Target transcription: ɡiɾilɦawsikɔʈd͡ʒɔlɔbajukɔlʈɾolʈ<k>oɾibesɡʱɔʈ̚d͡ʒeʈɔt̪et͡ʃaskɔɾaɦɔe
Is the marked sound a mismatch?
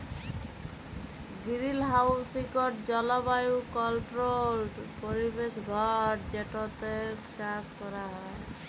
yes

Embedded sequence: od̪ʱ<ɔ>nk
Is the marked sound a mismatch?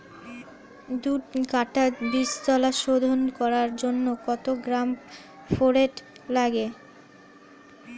yes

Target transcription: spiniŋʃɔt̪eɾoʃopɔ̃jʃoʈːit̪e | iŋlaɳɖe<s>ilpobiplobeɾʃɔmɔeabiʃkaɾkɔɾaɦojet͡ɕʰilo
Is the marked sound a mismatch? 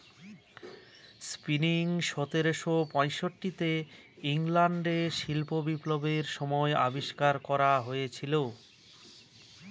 yes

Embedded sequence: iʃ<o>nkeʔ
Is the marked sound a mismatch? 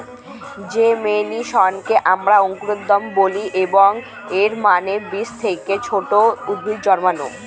yes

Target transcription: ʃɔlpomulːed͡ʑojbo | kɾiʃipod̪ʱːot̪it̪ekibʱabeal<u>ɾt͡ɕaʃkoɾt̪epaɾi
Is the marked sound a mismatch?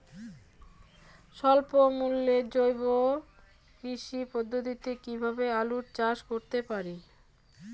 no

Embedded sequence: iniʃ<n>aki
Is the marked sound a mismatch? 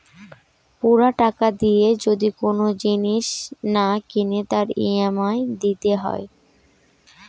no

